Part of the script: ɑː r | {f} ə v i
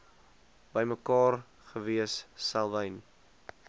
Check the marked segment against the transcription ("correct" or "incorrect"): incorrect